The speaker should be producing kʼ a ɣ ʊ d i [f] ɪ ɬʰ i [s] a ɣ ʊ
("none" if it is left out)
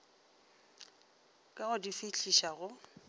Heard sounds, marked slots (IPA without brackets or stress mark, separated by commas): f, ʃ